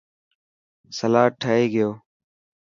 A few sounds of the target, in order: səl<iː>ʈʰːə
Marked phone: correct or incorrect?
incorrect